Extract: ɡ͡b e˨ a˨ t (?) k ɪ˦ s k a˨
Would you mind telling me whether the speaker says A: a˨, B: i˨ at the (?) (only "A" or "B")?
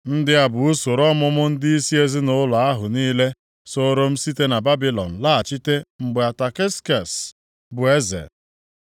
A